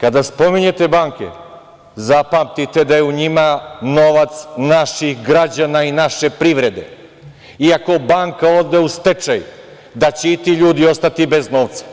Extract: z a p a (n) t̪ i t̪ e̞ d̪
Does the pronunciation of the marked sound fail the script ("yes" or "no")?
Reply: yes